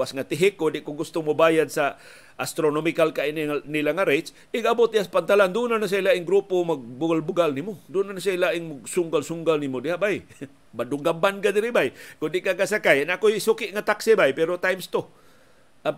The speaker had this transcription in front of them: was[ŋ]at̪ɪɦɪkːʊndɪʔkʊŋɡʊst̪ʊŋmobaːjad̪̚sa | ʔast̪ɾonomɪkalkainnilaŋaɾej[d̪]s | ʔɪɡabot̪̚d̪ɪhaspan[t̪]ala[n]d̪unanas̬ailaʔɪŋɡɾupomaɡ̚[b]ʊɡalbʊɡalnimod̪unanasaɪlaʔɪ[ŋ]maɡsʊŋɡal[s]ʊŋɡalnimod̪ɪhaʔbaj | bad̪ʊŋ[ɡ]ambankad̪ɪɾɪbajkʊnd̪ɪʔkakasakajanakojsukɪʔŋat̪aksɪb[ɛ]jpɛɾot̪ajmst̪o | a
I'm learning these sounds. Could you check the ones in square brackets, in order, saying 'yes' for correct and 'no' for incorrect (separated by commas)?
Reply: yes, no, yes, yes, yes, yes, yes, yes, no